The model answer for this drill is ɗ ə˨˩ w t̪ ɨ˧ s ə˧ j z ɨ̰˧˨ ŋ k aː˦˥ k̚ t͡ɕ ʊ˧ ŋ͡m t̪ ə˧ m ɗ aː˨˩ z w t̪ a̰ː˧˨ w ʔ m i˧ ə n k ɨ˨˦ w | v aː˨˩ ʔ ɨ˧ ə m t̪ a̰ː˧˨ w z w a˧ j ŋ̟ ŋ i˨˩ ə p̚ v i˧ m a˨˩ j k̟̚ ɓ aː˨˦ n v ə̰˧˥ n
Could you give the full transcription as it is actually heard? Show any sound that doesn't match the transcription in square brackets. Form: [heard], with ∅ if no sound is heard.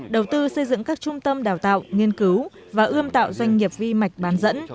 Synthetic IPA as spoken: ɗ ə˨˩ w t̪ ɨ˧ s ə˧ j z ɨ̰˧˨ ŋ k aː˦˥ k̚ t͡ɕ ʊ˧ ŋ͡m t̪ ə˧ m ɗ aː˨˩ [∅] w t̪ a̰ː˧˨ w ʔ [ŋ] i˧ ə n k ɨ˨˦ w | v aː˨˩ ʔ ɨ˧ ə m t̪ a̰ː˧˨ w z w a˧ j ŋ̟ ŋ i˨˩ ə p̚ v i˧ m a˨˩ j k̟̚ ɓ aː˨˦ n [z] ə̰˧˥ n